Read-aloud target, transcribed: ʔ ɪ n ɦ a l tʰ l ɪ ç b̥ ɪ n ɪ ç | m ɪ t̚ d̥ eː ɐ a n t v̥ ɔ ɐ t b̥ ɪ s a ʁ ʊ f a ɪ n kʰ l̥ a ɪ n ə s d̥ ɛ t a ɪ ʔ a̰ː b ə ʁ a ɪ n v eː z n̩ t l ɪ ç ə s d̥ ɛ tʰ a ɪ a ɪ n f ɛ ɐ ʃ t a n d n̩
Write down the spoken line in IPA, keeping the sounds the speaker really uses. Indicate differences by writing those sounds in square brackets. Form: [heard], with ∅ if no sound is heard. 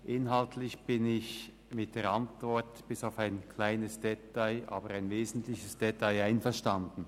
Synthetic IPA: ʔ ɪ n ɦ a l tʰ l ɪ ç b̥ ɪ n ɪ ç | m ɪ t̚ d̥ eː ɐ a n t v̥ ɔ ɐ t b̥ ɪ s a [∅] ʊ f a ɪ n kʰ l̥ a ɪ n ə s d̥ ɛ t a ɪ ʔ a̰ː b ə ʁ a ɪ n v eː z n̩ t l ɪ ç ə s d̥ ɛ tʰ a ɪ a ɪ n f ɛ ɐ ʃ t a n d n̩